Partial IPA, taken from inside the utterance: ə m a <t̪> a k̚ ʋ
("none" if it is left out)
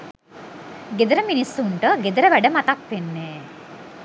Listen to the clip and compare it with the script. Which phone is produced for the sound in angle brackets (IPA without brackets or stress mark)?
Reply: t̪